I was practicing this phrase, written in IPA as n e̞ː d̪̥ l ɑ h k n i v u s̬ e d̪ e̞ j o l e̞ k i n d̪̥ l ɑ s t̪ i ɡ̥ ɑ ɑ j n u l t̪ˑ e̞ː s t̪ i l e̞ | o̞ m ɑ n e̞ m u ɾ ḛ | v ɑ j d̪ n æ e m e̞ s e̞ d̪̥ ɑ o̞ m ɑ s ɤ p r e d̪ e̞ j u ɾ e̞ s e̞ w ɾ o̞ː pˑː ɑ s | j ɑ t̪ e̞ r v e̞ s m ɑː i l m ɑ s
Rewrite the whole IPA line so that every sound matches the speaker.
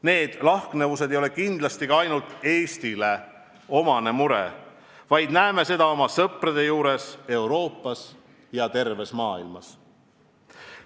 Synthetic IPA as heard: n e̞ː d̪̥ l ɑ h k n e v u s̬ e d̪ e̞ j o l e̞ k i n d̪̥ l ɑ s t̪ i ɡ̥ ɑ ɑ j n u l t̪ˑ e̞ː s t̪ i l e̞ | o̞ m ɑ n e̞ m u ɾ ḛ | v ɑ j d̪ n æ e m e̞ s e̞ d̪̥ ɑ o̞ m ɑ s ɤ p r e d̪ e̞ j uː ɾ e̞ s e̞ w ɾ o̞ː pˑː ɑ s | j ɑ t̪ e̞ r v e̞ s m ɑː i l m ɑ s